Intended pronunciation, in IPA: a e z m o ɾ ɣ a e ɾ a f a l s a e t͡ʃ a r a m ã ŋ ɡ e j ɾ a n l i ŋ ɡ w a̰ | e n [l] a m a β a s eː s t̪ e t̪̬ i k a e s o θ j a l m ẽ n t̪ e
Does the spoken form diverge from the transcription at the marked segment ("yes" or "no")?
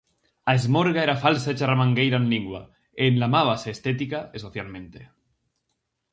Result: no